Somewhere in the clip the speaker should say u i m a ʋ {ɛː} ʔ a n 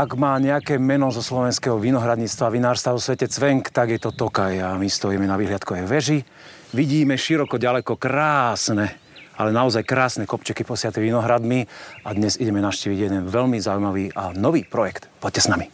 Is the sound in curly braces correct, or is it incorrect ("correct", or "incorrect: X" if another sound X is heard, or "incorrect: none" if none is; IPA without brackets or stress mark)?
incorrect: iː